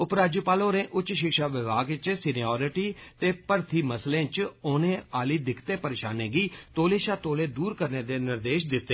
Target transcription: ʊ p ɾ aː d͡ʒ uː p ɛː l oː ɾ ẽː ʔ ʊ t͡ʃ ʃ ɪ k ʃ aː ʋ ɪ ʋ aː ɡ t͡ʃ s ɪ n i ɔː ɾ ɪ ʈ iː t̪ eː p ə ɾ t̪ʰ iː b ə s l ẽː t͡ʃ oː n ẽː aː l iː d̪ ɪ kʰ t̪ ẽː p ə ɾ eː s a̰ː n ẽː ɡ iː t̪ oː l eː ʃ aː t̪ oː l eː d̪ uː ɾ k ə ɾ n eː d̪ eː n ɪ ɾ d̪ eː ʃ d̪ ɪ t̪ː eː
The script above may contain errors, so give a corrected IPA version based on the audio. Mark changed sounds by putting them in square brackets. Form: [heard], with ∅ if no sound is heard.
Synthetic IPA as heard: ʊ p ɾ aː d͡ʒ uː p [aː] l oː ɾ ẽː ʔ ʊ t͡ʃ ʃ ɪ k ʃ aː ʋ ɪ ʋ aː ɡ t͡ʃ s ɪ n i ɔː ɾ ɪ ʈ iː t̪ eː p ə ɾ t̪ʰ iː [m] ə s l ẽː t͡ʃ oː n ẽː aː l iː d̪ ɪ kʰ t̪ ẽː p ə ɾ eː [ʃ] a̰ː n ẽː ɡ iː t̪ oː l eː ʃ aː t̪ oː l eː d̪ uː ɾ k ə ɾ n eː d̪ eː n ɪ ɾ d̪ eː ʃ d̪ ɪ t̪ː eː

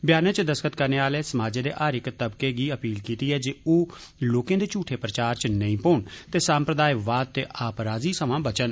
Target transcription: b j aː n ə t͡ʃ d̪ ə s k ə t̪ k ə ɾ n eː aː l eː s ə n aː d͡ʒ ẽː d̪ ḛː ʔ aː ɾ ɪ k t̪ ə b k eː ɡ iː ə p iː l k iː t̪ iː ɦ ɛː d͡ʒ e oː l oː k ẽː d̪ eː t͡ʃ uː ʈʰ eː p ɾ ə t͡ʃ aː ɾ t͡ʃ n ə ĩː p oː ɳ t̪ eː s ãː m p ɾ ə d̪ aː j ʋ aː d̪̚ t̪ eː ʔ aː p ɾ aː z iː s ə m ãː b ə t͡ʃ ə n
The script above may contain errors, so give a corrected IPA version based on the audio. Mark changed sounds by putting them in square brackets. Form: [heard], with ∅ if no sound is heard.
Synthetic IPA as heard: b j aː n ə t͡ʃ d̪ ə s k ə t̪ k ə ɾ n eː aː l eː s ə [m] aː d͡ʒ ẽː d̪ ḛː ʔ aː ɾ ɪ k t̪ ə b k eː ɡ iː ə p iː l k iː t̪ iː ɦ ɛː d͡ʒ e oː l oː k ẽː d̪ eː t͡ʃ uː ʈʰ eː p ɾ ə t͡ʃ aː ɾ t͡ʃ n ə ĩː p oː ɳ t̪ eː s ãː m p ɾ ə d̪ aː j ʋ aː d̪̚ t̪ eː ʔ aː p ɾ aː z iː s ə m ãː b ə t͡ʃ ə n

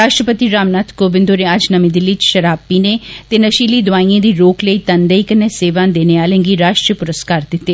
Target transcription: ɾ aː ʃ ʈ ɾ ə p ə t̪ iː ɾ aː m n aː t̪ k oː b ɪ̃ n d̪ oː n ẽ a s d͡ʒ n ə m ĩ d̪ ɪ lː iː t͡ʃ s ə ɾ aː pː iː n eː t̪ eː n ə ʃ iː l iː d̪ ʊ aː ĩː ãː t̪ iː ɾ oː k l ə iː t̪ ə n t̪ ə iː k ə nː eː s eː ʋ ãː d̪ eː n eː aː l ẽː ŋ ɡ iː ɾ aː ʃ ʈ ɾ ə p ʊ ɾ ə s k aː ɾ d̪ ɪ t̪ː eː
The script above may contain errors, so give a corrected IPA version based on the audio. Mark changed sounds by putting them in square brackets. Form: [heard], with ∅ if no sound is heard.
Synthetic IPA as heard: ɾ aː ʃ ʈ ɾ ə p ə t̪ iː ɾ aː m n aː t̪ k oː b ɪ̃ n d̪ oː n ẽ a [∅] d͡ʒ n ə m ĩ d̪ ɪ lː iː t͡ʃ [ʃ] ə ɾ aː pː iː n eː t̪ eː n ə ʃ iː l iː d̪ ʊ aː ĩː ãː [d̪] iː ɾ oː k l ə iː t̪ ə n [d̪] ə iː k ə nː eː s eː ʋ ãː d̪ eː n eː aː l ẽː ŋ ɡ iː ɾ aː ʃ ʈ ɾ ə p ʊ ɾ ə s k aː ɾ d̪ ɪ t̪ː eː

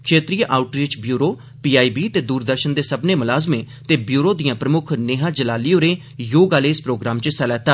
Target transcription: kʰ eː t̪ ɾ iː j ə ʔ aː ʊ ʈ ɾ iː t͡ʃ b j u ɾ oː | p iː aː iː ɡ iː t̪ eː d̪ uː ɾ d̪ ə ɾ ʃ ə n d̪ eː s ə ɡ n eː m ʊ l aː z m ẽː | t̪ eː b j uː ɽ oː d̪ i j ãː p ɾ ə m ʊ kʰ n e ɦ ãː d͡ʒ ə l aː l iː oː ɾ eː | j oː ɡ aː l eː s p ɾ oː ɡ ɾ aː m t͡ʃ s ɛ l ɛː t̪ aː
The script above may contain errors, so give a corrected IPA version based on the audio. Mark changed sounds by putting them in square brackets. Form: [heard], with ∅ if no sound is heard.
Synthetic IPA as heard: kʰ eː t̪ ɾ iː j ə ʔ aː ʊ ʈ ɾ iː t͡ʃ b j [uː] ɾ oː | p iː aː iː [b] iː t̪ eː d̪ uː ɾ d̪ ə ɾ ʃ ə n d̪ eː s ə [b] n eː m ʊ l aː z m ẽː | t̪ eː b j uː [ɾ] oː d̪ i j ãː p ɾ ə m ʊ kʰ n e ɦ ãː d͡ʒ ə l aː l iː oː ɾ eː | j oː ɡ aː l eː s p ɾ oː ɡ ɾ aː m t͡ʃ s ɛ l ɛː t̪ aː

